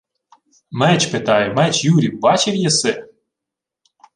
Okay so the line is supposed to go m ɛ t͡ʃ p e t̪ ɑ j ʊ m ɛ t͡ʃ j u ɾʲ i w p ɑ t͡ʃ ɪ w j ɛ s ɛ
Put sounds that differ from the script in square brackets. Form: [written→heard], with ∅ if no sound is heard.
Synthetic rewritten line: m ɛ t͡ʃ p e t̪ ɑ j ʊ m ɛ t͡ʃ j u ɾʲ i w [p→b] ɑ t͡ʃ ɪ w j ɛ s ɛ